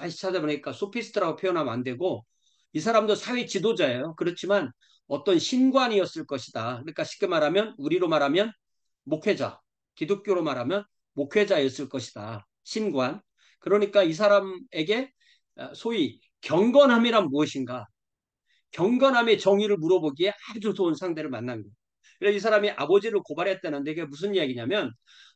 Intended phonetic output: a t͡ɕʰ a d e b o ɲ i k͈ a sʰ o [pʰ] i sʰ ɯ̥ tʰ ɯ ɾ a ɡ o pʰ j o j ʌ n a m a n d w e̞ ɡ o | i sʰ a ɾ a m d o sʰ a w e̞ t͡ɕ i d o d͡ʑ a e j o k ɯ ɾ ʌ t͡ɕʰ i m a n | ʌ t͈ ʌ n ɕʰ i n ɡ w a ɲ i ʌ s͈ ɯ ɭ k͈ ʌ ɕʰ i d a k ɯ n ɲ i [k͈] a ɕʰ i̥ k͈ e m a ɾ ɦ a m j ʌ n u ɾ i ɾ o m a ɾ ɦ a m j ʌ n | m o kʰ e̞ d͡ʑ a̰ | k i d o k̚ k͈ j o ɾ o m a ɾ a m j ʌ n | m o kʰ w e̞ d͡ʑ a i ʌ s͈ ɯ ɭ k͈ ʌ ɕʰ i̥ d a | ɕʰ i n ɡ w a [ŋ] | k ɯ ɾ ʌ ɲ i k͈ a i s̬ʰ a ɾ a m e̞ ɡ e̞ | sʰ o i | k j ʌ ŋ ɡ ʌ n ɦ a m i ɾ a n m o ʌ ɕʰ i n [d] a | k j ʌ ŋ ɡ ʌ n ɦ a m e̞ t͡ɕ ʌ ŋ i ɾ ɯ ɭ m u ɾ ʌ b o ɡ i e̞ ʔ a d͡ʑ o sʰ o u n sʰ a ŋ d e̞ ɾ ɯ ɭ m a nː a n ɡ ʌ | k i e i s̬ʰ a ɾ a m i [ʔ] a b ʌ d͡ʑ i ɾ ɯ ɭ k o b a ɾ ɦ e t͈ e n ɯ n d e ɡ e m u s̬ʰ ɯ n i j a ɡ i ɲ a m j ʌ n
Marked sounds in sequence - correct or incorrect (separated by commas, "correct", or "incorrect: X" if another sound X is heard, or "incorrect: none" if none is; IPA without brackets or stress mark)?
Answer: correct, correct, incorrect: n, incorrect: ɡ, correct